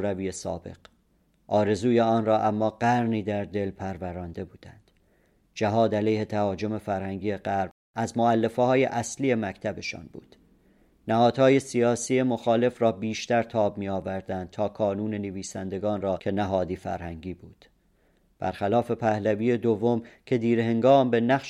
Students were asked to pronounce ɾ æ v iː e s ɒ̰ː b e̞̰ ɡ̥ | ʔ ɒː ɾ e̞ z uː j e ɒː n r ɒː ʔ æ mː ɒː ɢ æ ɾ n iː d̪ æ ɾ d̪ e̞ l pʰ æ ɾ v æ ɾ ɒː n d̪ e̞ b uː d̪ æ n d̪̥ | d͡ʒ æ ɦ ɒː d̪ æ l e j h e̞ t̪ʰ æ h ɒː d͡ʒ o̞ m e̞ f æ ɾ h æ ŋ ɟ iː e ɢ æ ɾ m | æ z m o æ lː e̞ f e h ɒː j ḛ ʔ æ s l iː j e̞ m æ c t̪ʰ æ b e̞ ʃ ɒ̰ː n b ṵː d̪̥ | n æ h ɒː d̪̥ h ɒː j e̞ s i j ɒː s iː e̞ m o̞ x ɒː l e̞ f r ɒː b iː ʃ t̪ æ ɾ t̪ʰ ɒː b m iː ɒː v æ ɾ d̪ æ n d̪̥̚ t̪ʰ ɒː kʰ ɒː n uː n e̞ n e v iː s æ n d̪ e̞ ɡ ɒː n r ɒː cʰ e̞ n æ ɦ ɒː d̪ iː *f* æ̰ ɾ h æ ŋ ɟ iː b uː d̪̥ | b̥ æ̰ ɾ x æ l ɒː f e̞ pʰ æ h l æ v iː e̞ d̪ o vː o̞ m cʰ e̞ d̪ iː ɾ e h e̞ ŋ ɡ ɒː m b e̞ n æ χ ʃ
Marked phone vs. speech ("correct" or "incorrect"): correct